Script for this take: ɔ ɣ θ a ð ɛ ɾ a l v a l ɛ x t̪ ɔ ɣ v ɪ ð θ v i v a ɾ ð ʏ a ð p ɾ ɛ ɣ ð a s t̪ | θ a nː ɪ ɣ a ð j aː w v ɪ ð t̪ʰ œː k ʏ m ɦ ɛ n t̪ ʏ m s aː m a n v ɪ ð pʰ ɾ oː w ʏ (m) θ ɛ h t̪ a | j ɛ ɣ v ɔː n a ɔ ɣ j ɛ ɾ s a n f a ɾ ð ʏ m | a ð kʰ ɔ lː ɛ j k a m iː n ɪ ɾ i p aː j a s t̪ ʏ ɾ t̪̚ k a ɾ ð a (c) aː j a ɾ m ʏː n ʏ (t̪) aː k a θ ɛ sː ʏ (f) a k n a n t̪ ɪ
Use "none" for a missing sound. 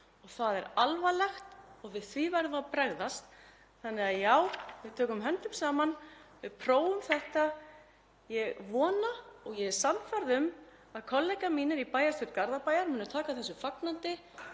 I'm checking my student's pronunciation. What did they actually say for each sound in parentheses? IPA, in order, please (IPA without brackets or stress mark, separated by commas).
m, p, t̪ʰ, f